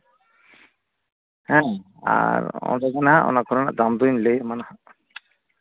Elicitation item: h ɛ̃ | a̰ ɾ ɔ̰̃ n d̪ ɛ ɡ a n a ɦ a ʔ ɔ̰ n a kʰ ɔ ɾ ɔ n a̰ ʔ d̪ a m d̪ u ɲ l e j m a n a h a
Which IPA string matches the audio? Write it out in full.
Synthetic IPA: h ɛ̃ | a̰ ɾ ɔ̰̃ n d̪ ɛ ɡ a n a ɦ a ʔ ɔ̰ n a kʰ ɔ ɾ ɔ n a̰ ʔ d̪ a m d̪ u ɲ l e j m a n a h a